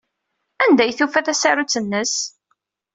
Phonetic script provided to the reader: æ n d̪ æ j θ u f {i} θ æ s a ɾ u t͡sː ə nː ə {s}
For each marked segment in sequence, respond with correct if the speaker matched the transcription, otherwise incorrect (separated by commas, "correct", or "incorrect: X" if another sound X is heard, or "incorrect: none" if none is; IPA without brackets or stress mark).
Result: incorrect: æ, correct